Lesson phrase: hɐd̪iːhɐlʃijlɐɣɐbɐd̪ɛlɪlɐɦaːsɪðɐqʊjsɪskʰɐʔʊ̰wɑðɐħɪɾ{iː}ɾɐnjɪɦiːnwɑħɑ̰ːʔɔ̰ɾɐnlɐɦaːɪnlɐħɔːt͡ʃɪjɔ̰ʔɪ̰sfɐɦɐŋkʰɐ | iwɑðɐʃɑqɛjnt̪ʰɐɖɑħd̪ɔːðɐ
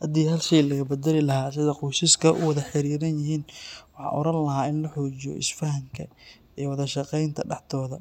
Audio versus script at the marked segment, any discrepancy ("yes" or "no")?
no